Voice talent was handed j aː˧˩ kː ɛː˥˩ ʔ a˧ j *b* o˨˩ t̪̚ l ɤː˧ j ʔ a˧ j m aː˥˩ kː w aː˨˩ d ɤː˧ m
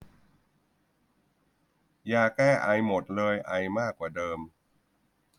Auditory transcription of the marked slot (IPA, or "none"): m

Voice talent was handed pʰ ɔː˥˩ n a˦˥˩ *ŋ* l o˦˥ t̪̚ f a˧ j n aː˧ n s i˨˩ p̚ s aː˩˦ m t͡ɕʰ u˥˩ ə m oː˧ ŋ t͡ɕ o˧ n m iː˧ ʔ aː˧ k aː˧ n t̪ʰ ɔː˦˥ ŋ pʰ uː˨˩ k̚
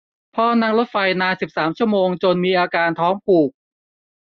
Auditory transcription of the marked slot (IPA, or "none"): ŋ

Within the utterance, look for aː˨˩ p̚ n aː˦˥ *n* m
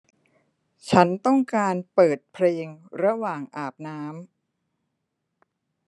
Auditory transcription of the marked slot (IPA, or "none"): none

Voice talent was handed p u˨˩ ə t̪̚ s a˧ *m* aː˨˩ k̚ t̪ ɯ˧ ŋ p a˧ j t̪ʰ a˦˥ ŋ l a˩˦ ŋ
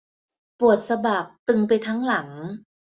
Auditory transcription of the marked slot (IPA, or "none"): b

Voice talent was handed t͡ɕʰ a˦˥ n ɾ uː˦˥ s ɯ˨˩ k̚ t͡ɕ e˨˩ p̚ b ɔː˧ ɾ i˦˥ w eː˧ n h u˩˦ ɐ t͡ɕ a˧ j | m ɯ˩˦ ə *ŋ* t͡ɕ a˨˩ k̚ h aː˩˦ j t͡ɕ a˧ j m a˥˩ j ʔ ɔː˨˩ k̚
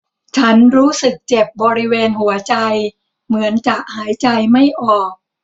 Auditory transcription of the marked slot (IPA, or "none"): n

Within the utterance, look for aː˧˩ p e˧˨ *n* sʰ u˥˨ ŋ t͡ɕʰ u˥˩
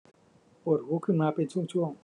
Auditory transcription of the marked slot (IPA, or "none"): n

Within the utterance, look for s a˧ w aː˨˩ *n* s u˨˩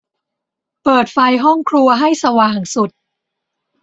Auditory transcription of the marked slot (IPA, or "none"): ŋ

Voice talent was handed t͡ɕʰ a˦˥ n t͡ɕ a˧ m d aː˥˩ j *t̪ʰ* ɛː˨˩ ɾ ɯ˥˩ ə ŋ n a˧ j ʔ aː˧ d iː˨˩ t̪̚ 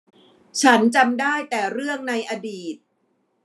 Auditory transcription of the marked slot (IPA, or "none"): t̪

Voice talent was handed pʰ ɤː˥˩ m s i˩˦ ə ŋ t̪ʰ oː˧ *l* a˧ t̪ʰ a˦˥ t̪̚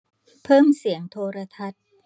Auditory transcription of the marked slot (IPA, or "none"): ɾ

